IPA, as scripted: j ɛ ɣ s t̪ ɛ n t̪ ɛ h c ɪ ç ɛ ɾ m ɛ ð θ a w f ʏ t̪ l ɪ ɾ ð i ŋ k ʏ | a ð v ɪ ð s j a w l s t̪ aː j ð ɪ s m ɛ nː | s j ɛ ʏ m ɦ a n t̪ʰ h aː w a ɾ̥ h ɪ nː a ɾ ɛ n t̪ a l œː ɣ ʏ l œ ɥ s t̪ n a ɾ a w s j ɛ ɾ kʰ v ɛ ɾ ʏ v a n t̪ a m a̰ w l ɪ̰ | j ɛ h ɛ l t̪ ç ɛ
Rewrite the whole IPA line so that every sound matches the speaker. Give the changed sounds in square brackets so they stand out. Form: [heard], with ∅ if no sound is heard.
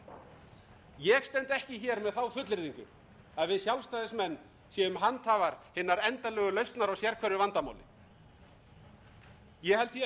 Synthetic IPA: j ɛ ɣ s t̪ ɛ n t̪ ɛ h c ɪ ç ɛ ɾ m ɛ ð θ a w f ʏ t̪ l ɪ ɾ ð i ŋ k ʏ | a ð v ɪ ð s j a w l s t̪ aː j ð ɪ s m ɛ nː | s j ɛ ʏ m ɦ a n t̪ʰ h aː [v] a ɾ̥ h ɪ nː a ɾ ɛ n t̪ a l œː ɣ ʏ l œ ɥ s t̪ n a ɾ a w s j ɛ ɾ kʰ v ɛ ɾ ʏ v a n t̪ a m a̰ w l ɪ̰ | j ɛ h ɛ l t̪ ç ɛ

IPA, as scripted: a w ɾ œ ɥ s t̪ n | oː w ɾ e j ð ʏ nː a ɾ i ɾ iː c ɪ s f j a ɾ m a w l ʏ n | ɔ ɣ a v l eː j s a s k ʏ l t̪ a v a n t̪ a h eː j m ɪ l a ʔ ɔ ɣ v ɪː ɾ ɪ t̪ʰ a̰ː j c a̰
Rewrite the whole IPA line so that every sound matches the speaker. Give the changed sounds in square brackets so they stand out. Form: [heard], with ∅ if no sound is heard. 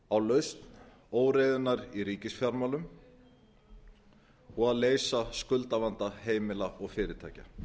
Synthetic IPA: a w [l] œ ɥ s t̪ n | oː w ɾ e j ð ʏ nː a ɾ i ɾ iː c ɪ s f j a ɾ m a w l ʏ [m] | ɔ ɣ a [ð] l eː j s a s k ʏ l t̪ a v a n t̪ a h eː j m ɪ l a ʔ ɔ ɣ [f] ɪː ɾ ɪ t̪ʰ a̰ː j c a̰

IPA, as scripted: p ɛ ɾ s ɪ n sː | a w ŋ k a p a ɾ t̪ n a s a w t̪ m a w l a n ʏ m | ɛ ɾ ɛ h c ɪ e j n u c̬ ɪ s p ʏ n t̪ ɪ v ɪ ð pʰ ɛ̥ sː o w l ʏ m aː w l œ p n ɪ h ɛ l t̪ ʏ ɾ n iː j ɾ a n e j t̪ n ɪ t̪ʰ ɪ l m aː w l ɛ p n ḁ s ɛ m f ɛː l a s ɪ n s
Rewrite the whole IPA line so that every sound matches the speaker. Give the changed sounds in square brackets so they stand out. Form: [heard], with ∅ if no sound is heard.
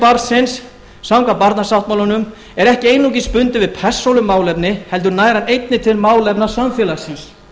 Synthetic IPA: p [a] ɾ s ɪ n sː | a w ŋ k a p a ɾ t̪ n a s a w t̪ m a w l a n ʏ m | ɛ ɾ ɛ h c ɪ e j n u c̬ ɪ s p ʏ n t̪ ɪ v ɪ ð pʰ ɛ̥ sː o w l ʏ m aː w l [ɛ] p n ɪ h ɛ l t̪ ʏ ɾ n [aː] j ɾ a n e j t̪ n ɪ t̪ʰ ɪ l m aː w l ɛ p n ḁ s [a] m f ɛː l a s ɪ n s

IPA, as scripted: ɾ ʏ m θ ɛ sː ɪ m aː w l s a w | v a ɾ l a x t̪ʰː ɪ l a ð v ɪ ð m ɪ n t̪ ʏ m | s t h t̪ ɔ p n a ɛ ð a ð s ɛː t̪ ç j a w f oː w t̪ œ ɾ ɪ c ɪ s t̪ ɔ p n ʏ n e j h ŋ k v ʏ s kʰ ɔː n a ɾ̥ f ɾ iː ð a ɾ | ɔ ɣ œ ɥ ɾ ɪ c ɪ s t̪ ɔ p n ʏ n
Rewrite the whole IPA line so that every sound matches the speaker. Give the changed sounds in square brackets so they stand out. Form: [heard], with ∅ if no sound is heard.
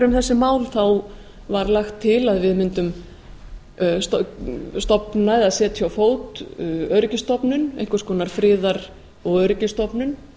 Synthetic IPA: ɾ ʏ m θ ɛ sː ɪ m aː w l [θ] a w | v a ɾ l a x t̪ʰː ɪ l a ð v ɪ ð m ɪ n t̪ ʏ m | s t [s] t̪ ɔ p n a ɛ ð a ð s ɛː t̪ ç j a w f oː w t̪ œ ɾ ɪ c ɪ s t̪ ɔ p n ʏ n e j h ŋ k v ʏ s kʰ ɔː n a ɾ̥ f ɾ [ɪː] ð a ɾ | ɔ ɣ œ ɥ ɾ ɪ c ɪ s t̪ ɔ p n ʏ n

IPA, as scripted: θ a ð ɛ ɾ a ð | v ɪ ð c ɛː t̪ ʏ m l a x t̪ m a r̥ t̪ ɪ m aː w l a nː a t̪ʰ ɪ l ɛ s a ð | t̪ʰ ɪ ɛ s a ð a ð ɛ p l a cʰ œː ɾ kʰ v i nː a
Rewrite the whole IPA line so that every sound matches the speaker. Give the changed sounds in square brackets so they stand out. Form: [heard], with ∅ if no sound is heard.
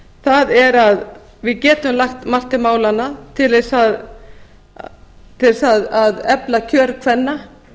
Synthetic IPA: θ a ð ɛ ɾ a ð | v ɪ ð c ɛː t̪ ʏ m l a x t̪ m a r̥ t̪ ɪ m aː w l a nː a t̪ʰ ɪ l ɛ s a ð | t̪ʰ ɪ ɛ s a ð a ð ɛ p l a cʰ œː ɾ kʰ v [ɛ] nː a

